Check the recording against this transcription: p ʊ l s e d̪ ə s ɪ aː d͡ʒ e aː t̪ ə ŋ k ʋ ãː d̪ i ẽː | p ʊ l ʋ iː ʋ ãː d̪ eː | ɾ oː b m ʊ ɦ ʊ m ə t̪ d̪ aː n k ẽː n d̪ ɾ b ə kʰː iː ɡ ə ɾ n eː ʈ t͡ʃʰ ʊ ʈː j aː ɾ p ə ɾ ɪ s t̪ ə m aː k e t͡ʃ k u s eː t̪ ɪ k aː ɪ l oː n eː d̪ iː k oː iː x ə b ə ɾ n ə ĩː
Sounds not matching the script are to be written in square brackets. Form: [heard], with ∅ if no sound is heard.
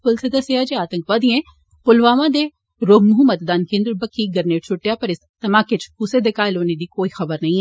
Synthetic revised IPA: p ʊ l s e d̪ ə s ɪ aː d͡ʒ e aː t̪ ə ŋ k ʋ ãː d̪ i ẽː | p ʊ l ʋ [aː] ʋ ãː d̪ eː | ɾ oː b m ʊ ɦ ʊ m ə t̪ d̪ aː n k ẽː n d̪ ɾ b ə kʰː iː ɡ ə ɾ n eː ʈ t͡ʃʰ ʊ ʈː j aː [∅] p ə ɾ ɪ s t̪ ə m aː k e t͡ʃ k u s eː [d̪] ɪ k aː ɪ l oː n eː d̪ iː k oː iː x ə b ə ɾ n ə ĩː